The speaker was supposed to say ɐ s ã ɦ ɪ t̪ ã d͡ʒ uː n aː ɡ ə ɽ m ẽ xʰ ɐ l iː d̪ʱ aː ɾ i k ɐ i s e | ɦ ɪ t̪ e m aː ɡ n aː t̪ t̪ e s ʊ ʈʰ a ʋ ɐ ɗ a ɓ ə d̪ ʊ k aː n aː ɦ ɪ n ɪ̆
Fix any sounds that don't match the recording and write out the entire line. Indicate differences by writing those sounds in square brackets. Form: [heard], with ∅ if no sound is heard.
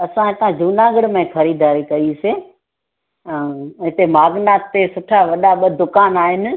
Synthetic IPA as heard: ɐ s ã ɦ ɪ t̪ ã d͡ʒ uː n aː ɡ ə ɽ m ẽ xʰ ɐ [ɾ] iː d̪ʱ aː ɾ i k ɐ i s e | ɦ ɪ t̪ e m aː ɡ n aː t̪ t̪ e s ʊ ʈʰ a ʋ ɐ ɗ a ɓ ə d̪ ʊ k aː n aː ɦ ɪ n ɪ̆